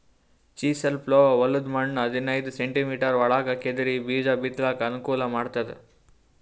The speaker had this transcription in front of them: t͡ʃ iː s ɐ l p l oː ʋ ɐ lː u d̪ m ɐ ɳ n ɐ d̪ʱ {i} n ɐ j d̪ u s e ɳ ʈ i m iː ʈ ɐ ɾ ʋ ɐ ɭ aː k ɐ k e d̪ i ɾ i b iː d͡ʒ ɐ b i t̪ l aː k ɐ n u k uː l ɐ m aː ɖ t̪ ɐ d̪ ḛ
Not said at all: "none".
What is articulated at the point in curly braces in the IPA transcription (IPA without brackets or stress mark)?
i